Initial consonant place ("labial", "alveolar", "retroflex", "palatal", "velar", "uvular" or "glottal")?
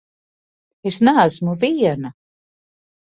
alveolar